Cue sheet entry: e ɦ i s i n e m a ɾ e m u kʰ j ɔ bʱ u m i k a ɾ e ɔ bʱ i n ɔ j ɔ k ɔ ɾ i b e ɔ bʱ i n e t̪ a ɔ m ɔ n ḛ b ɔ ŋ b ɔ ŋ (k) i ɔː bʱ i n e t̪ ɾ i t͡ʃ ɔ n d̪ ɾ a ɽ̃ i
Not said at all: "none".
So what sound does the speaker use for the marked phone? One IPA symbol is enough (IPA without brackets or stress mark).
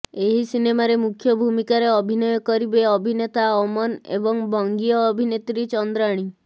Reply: ɡ